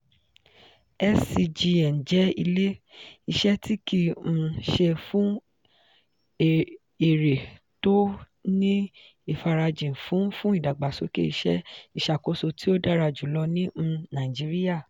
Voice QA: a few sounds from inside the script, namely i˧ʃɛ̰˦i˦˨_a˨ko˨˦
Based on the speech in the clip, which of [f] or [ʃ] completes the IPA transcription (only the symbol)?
ʃ